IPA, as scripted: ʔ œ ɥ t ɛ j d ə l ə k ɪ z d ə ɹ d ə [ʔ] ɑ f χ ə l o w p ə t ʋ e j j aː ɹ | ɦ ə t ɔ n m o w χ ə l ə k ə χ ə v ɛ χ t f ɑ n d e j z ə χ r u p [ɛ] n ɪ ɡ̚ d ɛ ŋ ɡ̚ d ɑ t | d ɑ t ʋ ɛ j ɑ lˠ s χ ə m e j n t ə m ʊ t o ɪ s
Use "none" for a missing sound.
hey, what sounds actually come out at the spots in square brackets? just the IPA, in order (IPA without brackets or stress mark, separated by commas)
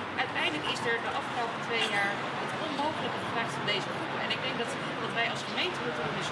ʔ, ɛ